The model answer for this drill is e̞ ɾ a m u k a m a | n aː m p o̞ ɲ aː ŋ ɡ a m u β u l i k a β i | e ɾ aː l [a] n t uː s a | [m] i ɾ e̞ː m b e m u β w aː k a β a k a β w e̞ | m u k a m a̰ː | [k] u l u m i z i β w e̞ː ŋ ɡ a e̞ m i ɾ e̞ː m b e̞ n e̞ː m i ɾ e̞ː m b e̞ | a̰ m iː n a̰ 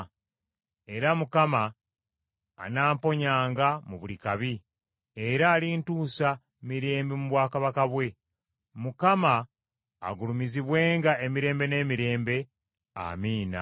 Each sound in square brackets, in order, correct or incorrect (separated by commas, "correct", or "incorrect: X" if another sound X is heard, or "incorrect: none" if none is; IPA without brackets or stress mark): incorrect: i, correct, incorrect: ɡ